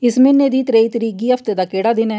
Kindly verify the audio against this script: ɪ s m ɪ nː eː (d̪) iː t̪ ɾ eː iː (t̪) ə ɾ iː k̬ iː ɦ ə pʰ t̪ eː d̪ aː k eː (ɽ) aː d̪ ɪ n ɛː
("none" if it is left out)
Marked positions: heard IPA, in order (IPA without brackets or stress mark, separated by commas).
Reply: d̪, t̪, ɽ